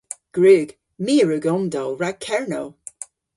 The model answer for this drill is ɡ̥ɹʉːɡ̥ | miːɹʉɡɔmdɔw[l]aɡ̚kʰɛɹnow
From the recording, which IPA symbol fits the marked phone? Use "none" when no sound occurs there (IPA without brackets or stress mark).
ɹ